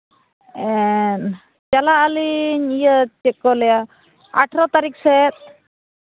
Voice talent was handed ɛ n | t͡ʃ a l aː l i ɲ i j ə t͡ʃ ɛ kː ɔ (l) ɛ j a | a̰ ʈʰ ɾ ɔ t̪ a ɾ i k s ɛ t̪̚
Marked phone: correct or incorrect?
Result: correct